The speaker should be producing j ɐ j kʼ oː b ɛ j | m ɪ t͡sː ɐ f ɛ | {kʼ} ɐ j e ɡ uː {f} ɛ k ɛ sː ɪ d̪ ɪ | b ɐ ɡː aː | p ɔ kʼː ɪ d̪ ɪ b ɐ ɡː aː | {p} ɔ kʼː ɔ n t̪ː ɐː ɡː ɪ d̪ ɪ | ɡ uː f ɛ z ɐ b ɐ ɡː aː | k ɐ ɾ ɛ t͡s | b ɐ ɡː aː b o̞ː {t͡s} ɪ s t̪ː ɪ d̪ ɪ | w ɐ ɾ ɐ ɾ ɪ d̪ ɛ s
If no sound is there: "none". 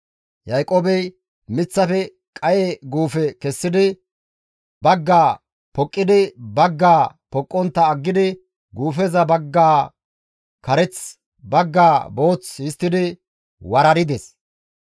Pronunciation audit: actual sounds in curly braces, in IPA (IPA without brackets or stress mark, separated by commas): kʼ, f, p, t͡s